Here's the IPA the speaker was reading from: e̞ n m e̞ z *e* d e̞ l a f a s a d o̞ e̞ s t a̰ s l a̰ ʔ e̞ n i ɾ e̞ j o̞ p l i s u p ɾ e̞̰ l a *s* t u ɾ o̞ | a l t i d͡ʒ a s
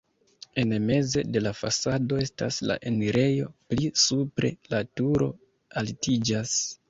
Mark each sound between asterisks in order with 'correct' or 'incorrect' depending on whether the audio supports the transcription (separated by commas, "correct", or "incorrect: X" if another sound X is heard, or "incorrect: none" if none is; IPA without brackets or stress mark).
correct, incorrect: none